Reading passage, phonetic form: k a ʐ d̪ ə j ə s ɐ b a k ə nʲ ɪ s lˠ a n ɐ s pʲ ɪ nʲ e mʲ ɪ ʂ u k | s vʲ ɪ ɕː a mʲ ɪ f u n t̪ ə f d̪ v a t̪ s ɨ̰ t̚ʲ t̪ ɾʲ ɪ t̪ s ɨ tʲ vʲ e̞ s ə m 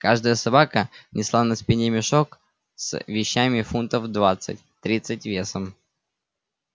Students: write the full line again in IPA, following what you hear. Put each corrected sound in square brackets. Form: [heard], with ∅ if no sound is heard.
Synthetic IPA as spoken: k a ʐ d̪ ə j ə s ɐ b a k ə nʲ ɪ s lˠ a n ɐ s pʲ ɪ nʲ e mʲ ɪ ʂ [o] k | s vʲ ɪ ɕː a mʲ ɪ f u n t̪ ə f d̪ v a t̪ s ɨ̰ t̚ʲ t̪ ɾʲ [i] t̪ s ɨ tʲ vʲ e̞ s ə m

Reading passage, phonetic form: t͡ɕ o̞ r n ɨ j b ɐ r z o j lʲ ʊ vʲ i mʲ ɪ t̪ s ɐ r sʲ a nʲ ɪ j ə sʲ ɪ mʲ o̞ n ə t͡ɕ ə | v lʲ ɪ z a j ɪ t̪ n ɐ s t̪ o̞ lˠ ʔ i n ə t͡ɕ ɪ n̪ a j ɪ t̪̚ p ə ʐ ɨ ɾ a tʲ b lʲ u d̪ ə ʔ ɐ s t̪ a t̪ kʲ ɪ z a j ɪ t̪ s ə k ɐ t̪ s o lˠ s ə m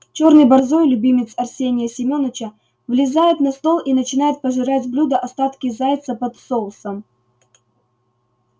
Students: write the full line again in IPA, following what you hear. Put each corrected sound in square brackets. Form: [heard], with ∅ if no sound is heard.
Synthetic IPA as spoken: t͡ɕ o̞ r n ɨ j b ɐ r z o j lʲ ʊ [bʲ] i mʲ ɪ t̪ s ɐ r sʲ [e] nʲ ɪ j ə sʲ ɪ mʲ o̞ n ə t͡ɕ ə | v lʲ ɪ z a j ɪ t̪ n ɐ s t̪ o̞ lˠ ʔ i n ə t͡ɕ ɪ n̪ a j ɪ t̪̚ p ə ʐ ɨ ɾ a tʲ b lʲ u d̪ ə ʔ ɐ s t̪ a t̪ kʲ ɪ z a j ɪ t̪ s ə [p] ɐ t̪ s o lˠ s ə m

